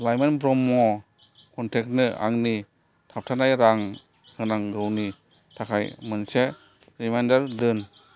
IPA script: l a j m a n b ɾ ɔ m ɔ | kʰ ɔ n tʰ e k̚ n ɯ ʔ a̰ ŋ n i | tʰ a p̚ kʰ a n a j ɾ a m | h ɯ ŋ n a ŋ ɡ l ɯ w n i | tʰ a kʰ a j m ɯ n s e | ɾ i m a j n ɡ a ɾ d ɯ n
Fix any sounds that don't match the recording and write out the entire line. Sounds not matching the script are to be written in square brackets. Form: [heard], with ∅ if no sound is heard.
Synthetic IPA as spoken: l a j m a n b ɾ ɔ m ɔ | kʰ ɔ n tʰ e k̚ n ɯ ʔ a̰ ŋ n i | tʰ a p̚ [tʰ] a n a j ɾ a [ŋ] | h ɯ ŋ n a ŋ ɡ [ɾ] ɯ w n i | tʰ a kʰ a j m ɯ n s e | ɾ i m a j n [d] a ɾ d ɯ n